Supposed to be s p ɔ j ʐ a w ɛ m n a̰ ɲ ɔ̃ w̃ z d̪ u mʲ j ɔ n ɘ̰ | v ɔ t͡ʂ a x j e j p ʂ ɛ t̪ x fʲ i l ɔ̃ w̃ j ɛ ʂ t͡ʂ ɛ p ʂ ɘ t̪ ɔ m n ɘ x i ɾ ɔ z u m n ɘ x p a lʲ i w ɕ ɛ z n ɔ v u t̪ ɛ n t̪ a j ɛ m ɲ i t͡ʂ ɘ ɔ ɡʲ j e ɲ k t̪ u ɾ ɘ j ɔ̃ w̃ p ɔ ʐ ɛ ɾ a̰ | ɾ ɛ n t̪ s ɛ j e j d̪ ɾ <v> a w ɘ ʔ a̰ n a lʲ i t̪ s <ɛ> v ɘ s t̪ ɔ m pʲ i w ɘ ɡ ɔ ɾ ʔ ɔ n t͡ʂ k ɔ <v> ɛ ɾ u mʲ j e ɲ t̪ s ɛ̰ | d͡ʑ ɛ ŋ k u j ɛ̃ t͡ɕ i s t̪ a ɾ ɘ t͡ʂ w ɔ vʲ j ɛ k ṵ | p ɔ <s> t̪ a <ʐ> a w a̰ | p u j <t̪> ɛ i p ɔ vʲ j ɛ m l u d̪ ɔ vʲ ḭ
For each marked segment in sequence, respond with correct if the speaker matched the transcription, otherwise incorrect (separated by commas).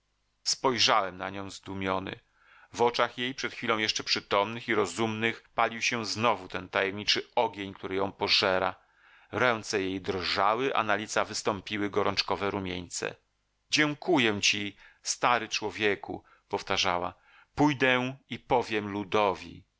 incorrect, incorrect, correct, incorrect, correct, incorrect